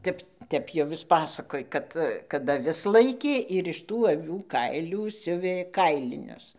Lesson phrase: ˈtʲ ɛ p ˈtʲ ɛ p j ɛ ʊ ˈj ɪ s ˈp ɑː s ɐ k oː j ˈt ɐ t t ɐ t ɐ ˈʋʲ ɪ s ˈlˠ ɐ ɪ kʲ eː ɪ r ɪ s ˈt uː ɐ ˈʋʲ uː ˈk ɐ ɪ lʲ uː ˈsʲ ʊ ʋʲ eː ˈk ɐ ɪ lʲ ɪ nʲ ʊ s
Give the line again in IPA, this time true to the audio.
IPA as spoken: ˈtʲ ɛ p ˈtʲ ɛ p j ɛ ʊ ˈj ɪ s ˈp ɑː s ɐ k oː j ˈk ɐ t k ɐ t ɐ ˈʋʲ ɪ s ˈlˠ ɐ ɪ kʲ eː ɪ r ɪ ʃ ˈt uː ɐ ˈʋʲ uː ˈk ɐ ɪ lʲ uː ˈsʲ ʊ ʋʲ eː ˈk ɐ ɪ lʲ ɪ nʲ ʊ s